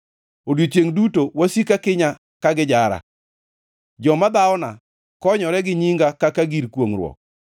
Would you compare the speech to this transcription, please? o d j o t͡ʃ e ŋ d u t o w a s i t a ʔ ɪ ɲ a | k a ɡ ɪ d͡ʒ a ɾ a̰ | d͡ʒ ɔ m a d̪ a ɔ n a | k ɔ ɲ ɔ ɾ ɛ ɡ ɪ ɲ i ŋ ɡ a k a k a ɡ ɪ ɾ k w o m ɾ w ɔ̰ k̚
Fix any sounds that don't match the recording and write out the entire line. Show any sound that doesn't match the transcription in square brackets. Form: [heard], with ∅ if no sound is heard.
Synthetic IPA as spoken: o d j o t͡ʃ e ŋ d u t o w a s i [k] a [k] ɪ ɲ a | k a ɡ ɪ d͡ʒ a ɾ a̰ | d͡ʒ ɔ m a d̪ a ɔ n a | k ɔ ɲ ɔ ɾ ɛ ɡ ɪ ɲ i ŋ ɡ a k a k a ɡ [i] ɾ k w o [ŋ] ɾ w ɔ̰ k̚